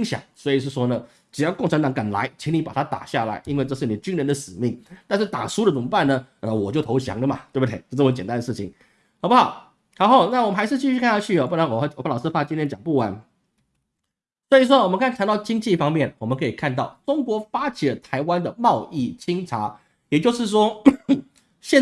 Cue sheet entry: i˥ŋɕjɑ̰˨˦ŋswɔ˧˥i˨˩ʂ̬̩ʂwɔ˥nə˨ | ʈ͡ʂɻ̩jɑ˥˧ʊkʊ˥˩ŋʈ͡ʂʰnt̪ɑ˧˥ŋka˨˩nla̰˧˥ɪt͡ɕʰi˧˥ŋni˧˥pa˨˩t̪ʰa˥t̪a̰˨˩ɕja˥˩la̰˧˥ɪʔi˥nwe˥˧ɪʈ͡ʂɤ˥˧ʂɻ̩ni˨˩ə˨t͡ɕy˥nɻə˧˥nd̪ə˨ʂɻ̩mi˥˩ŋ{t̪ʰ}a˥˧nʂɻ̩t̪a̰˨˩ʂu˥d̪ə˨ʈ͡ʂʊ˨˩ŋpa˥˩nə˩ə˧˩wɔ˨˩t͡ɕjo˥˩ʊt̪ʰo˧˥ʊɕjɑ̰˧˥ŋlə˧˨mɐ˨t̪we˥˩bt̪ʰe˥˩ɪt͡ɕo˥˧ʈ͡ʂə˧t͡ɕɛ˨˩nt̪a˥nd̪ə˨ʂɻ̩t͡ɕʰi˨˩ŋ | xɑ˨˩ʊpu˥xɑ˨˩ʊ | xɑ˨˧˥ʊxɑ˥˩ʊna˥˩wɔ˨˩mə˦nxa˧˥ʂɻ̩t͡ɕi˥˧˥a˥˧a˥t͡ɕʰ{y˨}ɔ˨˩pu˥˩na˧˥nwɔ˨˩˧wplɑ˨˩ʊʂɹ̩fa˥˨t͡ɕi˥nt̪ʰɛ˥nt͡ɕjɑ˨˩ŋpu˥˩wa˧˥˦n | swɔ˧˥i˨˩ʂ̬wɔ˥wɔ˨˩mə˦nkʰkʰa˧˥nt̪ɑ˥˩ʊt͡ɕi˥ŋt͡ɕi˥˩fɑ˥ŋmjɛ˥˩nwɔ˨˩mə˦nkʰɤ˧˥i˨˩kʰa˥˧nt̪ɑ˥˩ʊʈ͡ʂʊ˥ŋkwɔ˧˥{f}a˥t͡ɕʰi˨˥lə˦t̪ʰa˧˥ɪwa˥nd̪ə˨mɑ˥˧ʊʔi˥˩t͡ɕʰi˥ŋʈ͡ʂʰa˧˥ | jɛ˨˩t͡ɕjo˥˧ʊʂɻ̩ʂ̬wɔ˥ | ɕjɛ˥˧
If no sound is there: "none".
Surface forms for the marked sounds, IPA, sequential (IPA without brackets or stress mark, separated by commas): t̪, y˥˩, f